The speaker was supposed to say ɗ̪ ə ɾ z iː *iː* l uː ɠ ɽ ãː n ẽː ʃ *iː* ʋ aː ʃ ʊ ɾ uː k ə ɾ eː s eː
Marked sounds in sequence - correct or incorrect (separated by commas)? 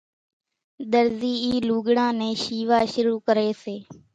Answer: correct, correct